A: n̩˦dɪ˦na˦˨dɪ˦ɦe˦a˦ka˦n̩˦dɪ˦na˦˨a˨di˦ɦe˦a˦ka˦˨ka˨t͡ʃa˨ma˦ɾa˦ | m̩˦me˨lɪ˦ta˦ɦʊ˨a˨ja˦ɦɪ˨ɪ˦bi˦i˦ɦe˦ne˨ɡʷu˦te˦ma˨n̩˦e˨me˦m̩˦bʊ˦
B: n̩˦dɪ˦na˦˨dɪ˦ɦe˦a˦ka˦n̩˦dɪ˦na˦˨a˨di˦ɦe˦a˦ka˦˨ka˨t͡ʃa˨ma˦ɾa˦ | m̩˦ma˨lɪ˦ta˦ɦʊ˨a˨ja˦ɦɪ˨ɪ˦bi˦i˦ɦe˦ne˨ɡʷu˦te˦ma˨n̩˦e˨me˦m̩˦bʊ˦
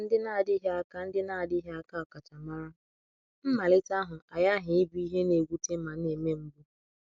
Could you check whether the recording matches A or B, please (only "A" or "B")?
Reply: B